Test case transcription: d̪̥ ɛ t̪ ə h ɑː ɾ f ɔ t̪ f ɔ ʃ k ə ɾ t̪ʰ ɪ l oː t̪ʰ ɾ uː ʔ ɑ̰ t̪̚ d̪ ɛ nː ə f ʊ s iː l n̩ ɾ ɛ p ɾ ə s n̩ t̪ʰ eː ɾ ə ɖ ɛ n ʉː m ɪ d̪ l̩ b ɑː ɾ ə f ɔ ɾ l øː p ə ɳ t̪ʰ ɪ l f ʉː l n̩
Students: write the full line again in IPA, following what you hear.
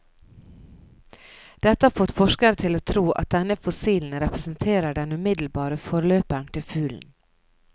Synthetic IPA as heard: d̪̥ ɛ t̪ ə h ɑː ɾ f ɔ t̪ f ɔ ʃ k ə ɾ t̪ʰ ɪ l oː t̪ʰ ɾ uː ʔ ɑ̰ t̪̚ d̪ ɛ n ə f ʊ s iː l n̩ ɾ ɛ p ɾ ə s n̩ t̪ʰ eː ɾ ə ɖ ɛ n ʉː m ɪ d̪ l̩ b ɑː ɾ ə f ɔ ɾ l øː p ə ɳ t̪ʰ ɪ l f ʉː l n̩

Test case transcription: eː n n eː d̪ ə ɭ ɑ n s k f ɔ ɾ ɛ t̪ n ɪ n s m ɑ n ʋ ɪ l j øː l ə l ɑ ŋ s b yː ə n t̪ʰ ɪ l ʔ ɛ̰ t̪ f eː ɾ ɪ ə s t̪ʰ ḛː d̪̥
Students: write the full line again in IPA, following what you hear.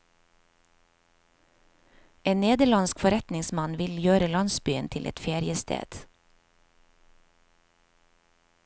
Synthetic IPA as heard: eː n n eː d̪ ə ɭ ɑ n s k f ɔ ɾ ɛ t̪ n ɪ ŋ s m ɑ n ʋ ɪ l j øː ɾ ə l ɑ n s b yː ə n t̪ʰ ɪ l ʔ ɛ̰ t̪ f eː ɾ ɪ ə s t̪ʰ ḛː d̪̥

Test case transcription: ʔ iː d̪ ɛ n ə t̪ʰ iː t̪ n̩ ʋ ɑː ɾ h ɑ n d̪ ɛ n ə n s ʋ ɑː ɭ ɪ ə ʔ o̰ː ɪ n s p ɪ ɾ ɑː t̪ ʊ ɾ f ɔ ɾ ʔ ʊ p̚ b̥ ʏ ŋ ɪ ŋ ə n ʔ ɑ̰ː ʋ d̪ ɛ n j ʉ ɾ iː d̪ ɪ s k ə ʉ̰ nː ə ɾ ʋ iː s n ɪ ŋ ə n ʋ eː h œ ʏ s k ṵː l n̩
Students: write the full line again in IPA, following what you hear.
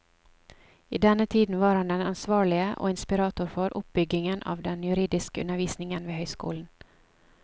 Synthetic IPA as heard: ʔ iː d̪ ɛ n ə t̪ʰ iː d̪ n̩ ʋ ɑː ɾ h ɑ n d̪ ɛ n ɑ n s ʋ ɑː ɭ ɪ ə ʔ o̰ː ɪ n s p ɪ ɾ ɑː t̪ ʊ ɾ f ɔ ɾ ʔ ʊ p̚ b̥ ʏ ɡ ɪ ŋ ə n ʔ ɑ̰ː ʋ d̪ ɛ n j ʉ ɾ iː d̪ ɪ s k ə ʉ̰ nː ə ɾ ʋ iː s n ɪ ŋ ə n ʋ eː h œ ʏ s k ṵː l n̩

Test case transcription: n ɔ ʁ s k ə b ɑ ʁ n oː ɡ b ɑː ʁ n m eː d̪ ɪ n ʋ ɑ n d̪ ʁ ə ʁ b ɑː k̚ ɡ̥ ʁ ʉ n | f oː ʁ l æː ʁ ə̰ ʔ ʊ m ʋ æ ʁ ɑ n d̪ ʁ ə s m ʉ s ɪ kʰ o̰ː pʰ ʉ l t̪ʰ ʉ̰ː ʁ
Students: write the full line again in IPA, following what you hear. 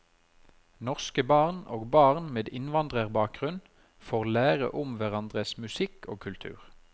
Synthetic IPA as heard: n ɔ ʁ s k ə b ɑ ʁ n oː ɡ b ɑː ʁ n m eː d̪ ɪ n ʋ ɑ n d̪ ʁ ə ʁ b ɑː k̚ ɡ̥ ʁ ʉ n | f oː ʁ l æː ʁ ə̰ ʔ ʊ m ʋ æ ʁ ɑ n d̪ ʁ ə s m ʉ s ɪ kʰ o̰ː kʰ ʉ l t̪ʰ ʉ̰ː ʁ

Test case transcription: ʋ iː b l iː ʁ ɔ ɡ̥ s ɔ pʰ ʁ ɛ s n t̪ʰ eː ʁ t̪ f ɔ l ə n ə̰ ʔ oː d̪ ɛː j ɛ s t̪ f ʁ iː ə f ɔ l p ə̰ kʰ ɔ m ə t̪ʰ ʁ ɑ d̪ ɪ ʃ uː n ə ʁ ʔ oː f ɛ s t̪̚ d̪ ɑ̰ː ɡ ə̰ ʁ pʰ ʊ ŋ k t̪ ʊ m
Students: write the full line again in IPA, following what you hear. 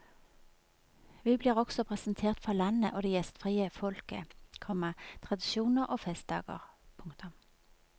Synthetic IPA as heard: ʋ iː b l iː ʁ ɔ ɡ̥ s ɔ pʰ ʁ ɛ s n t̪ʰ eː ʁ t̪ f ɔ l ɑ n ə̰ ʔ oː d̪ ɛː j ɛ s t̪ f ʁ iː ə f ɔ l k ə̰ kʰ ɔ m ə t̪ʰ ʁ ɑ d̪ ɪ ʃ uː n ə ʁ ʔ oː f ɛ s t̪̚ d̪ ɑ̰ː ɡ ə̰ ʁ pʰ ʊ ŋ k t̪ ʊ m

